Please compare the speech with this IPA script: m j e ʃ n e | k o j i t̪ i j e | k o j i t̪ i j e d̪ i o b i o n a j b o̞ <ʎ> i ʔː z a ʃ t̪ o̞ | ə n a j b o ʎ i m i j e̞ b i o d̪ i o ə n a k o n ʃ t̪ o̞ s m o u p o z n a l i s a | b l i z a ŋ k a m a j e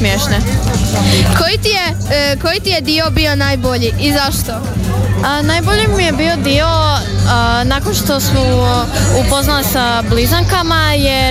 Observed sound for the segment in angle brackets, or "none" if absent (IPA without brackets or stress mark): ʎ